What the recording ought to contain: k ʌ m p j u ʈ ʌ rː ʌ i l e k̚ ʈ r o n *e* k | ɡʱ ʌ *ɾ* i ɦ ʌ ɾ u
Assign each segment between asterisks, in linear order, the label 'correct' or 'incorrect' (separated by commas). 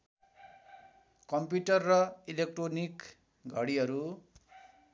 incorrect, incorrect